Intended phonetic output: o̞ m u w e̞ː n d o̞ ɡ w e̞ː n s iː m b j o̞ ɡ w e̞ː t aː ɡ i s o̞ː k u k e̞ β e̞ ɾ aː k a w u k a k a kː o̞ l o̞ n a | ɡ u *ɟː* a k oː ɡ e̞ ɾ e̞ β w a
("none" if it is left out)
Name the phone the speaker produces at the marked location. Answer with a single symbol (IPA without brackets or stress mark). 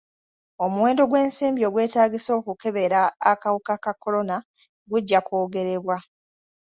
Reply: ɟː